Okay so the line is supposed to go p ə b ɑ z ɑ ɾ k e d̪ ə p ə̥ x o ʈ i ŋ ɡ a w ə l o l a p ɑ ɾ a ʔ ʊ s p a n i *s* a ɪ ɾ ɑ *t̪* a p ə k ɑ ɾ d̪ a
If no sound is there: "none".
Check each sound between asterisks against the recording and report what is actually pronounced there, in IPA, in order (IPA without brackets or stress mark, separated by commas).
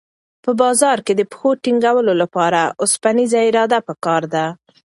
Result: z, d̪